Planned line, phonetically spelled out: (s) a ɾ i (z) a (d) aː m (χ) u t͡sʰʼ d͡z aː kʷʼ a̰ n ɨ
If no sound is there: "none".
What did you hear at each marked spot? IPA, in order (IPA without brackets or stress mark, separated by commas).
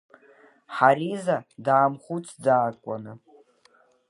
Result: ħ, z, d, χ